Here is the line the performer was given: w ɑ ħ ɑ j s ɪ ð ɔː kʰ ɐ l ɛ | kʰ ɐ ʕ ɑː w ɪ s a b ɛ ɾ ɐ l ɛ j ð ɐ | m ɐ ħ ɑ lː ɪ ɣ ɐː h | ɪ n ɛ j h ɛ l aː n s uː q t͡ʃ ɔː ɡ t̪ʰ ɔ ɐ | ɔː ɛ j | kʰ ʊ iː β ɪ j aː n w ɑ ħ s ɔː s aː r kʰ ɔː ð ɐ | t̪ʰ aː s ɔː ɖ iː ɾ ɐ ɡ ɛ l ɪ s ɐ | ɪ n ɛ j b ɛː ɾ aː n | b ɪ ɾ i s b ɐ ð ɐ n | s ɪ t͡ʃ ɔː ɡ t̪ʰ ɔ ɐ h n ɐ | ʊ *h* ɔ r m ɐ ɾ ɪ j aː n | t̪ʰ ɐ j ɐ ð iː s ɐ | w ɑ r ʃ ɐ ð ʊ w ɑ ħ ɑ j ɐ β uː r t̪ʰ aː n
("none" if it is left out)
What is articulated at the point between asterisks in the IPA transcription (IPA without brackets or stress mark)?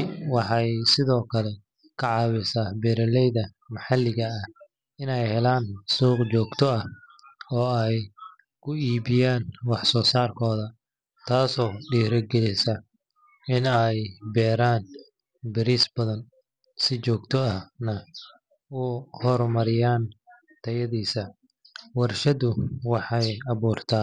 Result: h